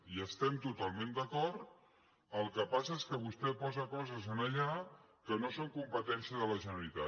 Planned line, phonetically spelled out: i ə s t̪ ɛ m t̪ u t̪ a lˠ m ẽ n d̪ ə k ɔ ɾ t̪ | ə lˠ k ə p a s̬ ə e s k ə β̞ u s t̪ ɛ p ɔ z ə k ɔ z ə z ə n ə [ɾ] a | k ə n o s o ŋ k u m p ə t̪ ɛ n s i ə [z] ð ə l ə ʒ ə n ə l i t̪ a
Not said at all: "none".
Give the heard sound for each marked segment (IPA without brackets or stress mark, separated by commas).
ʎ, none